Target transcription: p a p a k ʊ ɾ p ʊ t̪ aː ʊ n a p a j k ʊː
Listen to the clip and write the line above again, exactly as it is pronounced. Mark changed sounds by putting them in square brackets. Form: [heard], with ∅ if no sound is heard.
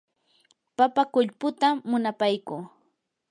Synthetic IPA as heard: p a p a k ʊ [ʎ] p ʊ t̪ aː ʊ n a p a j k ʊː